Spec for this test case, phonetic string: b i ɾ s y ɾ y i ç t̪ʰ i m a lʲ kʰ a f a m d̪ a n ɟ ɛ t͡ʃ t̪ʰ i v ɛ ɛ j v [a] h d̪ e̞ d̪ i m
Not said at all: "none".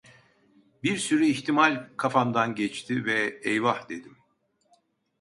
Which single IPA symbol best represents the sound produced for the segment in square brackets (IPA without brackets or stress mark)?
a